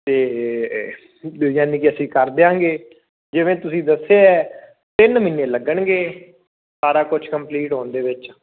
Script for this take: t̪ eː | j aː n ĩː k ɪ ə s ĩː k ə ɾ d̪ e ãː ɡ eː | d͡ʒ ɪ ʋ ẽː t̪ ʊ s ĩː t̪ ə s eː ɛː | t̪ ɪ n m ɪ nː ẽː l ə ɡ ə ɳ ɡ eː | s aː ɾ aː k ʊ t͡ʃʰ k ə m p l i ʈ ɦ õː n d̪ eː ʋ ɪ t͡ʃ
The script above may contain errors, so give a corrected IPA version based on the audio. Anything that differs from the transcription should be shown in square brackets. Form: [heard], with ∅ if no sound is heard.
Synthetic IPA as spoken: t̪ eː | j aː n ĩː k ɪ ə s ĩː k ə ɾ d̪ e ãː ɡ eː | d͡ʒ ɪ ʋ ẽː t̪ ʊ s ĩː [d̪] ə s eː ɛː | t̪ ɪ n m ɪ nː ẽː l ə ɡ ə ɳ ɡ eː | s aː ɾ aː k ʊ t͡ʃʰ k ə m p l [iː] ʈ ɦ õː n d̪ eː ʋ ɪ t͡ʃ